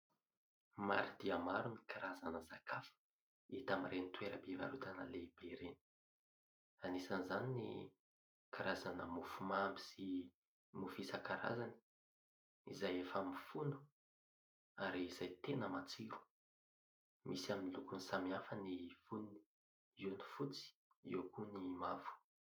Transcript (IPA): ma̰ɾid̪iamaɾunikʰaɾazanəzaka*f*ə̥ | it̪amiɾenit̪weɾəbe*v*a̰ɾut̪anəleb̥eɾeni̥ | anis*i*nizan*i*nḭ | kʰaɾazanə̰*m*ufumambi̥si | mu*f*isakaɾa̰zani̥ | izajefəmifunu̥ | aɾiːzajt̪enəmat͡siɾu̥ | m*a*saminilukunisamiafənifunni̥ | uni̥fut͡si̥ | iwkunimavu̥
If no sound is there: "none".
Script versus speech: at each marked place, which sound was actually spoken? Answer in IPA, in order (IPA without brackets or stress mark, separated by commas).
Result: f, v, a, i, m, f, i